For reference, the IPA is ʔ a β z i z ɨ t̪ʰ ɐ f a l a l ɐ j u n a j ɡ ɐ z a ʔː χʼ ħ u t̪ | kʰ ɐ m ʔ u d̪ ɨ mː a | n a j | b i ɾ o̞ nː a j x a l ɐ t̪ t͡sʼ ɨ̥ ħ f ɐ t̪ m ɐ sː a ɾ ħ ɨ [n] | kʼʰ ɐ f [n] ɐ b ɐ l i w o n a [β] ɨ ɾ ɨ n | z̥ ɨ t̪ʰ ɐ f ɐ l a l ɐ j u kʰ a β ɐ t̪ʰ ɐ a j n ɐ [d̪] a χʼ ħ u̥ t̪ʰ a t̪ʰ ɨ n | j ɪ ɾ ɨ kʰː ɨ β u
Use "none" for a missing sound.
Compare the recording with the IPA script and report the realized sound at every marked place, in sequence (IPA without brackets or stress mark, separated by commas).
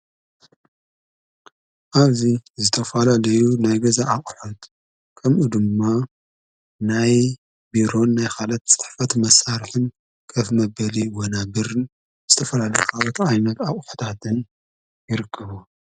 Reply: n, m, b, t̪